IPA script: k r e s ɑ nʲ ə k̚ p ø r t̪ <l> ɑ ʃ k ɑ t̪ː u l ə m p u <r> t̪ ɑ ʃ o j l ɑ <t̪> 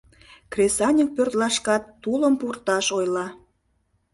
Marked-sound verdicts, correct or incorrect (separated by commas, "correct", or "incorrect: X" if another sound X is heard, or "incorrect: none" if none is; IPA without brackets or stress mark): correct, correct, incorrect: none